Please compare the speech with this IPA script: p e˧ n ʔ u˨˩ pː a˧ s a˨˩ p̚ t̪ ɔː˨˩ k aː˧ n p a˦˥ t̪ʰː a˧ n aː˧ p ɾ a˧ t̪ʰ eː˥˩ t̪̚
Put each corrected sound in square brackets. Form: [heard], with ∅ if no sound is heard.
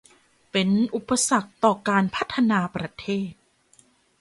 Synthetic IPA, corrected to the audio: p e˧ n ʔ u˨˩ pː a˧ s a˨˩ [k̚] t̪ ɔː˨˩ k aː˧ n [pʰ] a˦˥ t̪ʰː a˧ n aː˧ p ɾ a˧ t̪ʰ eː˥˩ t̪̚